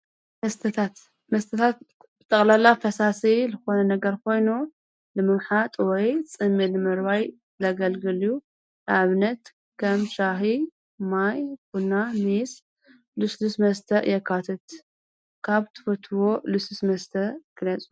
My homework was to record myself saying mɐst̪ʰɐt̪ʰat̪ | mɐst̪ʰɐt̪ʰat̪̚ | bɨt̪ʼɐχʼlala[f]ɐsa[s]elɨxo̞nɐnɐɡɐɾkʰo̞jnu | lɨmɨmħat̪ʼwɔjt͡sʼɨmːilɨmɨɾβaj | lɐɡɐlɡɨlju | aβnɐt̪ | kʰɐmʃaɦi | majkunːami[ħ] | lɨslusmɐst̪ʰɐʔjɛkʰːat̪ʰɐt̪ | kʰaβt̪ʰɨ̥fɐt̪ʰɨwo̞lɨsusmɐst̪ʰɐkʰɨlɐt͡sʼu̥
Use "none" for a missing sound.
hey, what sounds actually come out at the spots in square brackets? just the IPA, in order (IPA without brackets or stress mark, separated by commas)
f, s, s